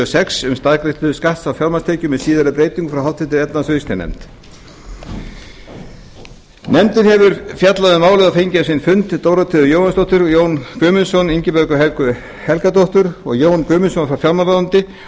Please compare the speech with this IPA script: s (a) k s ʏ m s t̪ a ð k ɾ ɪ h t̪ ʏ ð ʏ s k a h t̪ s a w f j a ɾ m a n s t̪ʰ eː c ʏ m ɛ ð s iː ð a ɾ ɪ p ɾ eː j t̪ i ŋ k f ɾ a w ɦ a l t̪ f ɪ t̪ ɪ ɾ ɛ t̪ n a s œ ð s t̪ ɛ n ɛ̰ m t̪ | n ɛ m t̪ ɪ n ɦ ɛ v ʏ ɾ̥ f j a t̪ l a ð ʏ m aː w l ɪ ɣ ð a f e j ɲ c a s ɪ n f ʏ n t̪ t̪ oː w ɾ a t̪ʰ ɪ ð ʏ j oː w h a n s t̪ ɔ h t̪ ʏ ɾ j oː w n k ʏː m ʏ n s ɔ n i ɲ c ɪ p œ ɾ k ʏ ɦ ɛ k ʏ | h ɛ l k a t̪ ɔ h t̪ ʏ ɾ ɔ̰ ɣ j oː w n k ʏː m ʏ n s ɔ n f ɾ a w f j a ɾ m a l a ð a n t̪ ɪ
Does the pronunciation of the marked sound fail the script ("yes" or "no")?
yes